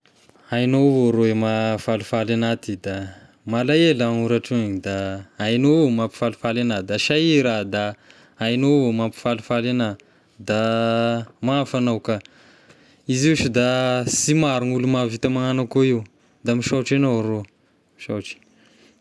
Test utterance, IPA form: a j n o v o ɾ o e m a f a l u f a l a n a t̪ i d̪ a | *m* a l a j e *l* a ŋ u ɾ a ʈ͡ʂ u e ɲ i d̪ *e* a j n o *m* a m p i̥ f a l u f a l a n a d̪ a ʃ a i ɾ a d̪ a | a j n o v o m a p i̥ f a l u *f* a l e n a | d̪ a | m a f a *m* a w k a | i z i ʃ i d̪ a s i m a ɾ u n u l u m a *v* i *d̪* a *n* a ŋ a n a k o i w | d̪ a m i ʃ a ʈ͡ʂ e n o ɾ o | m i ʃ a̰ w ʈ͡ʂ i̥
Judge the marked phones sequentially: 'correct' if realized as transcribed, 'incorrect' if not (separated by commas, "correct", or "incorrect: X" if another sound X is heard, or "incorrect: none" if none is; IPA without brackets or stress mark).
correct, correct, incorrect: a, correct, correct, incorrect: n, correct, incorrect: t̪, incorrect: m